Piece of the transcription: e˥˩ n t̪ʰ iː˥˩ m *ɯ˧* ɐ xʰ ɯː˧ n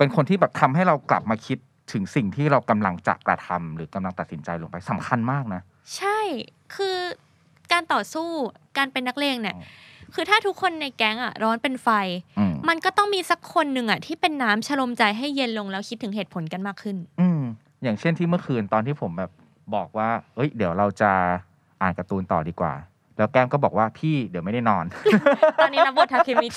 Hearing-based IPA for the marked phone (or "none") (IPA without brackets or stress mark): ɯ˥